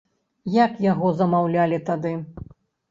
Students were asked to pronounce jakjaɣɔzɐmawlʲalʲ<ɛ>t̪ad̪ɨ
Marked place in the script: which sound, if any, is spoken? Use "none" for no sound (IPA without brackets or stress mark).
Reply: i